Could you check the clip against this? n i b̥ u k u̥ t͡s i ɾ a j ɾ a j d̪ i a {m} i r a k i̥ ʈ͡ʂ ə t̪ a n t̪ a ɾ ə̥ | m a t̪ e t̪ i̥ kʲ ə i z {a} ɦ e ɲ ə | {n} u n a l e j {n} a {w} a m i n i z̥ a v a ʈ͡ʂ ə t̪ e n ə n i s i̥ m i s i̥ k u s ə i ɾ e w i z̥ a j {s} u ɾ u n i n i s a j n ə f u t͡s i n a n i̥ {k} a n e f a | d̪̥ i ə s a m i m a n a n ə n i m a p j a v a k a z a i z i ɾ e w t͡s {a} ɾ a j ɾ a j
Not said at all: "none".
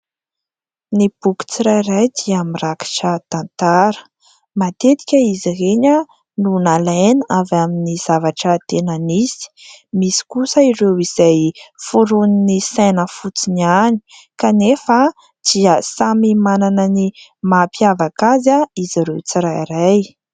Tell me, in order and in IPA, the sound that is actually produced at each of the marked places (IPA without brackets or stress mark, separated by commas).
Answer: m, i, n, n, v, f, k, i